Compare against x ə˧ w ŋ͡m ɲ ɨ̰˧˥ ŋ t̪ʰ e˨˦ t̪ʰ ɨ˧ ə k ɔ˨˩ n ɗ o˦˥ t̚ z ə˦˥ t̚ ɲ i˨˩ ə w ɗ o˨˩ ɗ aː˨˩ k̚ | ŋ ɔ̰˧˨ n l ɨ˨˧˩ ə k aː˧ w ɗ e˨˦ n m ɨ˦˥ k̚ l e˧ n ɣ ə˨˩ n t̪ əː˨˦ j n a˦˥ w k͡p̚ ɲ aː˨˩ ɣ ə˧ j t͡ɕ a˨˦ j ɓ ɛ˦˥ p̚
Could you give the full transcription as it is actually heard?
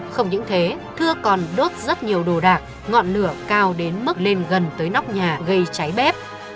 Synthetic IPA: x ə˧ w ŋ͡m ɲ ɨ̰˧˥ ŋ t̪ʰ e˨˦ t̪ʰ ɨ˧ ə k ɔ˨˩ n ɗ o˦˥ t̚ z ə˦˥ t̚ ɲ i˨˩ ə w ɗ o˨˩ ɗ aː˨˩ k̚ | ŋ ɔ̰˧˨ n l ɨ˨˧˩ ə k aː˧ w ɗ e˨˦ n m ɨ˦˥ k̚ l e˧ n ɣ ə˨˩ n t̪ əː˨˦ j n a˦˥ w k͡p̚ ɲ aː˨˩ ɣ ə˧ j t͡ɕ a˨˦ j ɓ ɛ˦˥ p̚